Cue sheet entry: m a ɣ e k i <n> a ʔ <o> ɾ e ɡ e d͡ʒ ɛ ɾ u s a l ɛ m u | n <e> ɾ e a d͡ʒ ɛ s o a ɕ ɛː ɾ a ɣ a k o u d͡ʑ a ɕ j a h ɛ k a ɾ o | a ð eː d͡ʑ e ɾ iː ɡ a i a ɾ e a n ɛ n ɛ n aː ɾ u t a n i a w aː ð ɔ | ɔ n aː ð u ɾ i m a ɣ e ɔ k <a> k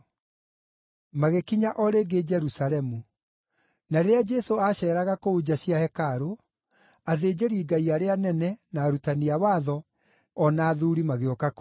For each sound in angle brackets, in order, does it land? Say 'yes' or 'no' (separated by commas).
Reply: no, no, no, yes